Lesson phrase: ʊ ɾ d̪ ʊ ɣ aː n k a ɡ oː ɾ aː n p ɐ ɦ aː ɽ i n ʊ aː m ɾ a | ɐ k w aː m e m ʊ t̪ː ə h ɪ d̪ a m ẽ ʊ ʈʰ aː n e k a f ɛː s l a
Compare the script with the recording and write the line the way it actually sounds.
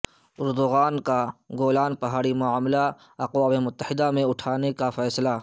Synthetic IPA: ʊ ɾ d̪ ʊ ɣ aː n k a ɡ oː l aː n p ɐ ɦ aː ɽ i m ʊ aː m l a | ɐ q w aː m e m ʊ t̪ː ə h ɪ d̪ a m ẽ ʊ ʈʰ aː n e k a f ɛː s l a